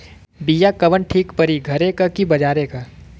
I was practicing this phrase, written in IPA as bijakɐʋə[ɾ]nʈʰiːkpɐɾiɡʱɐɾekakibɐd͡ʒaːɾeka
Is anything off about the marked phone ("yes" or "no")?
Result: yes